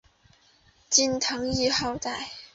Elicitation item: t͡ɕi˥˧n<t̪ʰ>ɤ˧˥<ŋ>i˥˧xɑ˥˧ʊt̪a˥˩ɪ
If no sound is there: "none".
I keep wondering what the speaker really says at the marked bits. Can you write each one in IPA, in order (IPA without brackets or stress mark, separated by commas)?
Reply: t̪ʰ, ŋ